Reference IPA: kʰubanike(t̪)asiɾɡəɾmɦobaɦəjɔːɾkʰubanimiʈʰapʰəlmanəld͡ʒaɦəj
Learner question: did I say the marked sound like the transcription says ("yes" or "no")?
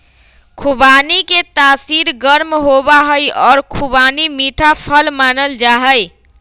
yes